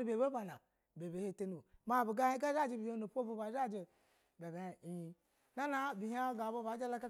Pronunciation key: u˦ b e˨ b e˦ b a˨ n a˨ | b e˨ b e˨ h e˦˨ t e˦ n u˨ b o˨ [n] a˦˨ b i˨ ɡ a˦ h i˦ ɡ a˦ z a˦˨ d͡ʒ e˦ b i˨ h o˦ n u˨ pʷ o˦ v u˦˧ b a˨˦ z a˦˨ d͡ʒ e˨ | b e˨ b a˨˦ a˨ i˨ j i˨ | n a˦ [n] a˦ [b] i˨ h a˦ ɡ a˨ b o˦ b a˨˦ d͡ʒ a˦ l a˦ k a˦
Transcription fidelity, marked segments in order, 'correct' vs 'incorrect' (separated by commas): incorrect, correct, correct